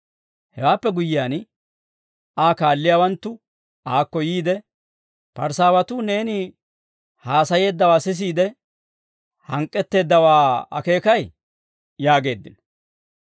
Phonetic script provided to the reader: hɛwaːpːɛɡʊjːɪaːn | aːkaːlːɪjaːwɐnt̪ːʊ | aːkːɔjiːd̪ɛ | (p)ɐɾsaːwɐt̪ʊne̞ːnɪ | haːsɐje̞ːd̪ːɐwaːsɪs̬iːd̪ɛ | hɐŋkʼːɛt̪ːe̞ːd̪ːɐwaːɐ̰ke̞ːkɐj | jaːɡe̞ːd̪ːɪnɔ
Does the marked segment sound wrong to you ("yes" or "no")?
no